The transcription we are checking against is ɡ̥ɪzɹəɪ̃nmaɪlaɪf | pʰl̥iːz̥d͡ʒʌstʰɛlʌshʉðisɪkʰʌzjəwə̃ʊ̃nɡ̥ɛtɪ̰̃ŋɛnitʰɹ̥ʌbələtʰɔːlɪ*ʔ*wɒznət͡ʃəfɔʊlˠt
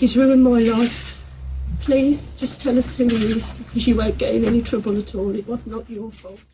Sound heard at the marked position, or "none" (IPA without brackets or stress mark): ʔ